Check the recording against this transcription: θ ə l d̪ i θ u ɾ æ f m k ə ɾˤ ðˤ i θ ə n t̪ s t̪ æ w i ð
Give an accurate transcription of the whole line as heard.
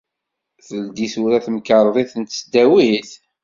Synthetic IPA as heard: θ ə l d̪ i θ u ɾ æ θ m k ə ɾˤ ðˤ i θ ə n t̪ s d̪ æ w i θ